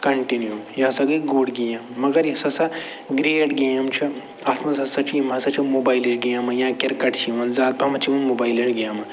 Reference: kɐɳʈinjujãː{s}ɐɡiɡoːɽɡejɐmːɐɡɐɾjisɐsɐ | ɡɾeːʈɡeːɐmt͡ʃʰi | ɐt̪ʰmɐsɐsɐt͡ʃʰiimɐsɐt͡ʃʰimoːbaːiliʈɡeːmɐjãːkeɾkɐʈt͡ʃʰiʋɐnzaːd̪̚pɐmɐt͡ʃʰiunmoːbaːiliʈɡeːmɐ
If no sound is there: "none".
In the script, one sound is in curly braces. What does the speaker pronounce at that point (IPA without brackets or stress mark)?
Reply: s